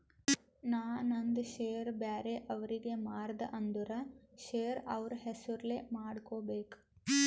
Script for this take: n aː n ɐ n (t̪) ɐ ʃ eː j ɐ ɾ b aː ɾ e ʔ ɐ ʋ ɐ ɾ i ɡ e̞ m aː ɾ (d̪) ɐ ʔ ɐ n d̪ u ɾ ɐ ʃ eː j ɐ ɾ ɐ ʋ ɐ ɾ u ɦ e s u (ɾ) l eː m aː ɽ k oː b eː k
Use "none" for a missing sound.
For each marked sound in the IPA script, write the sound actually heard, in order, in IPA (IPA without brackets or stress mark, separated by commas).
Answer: d̪, d̪, ɾ